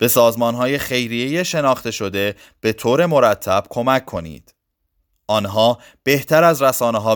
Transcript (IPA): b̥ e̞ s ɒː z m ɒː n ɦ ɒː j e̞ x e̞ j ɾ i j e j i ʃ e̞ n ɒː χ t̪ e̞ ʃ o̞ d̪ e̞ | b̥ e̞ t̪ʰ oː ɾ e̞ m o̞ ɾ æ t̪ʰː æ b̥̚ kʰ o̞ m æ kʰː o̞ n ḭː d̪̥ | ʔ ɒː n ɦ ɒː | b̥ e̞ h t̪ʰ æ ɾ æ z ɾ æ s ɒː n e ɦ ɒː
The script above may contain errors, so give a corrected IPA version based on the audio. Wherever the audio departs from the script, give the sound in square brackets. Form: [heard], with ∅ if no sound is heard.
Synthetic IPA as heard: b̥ e̞ s ɒː z m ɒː n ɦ ɒː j e̞ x e̞ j ɾ i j e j [e] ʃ e̞ n ɒː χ t̪ e̞ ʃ o̞ d̪ e̞ | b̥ e̞ t̪ʰ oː ɾ e̞ m o̞ ɾ æ t̪ʰː æ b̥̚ kʰ o̞ m æ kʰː o̞ n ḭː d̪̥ | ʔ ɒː n ɦ ɒː | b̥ e̞ h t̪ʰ æ ɾ æ z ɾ æ s ɒː n e ɦ ɒː